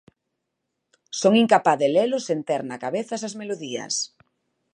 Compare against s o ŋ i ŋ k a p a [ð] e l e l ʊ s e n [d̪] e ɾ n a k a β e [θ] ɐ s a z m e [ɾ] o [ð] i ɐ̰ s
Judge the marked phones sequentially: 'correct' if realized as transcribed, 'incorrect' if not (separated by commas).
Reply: correct, incorrect, correct, incorrect, correct